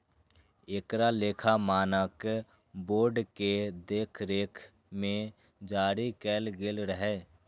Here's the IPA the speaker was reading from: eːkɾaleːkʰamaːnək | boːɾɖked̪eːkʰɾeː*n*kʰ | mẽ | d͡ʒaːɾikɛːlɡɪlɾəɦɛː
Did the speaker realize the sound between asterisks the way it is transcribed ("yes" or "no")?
no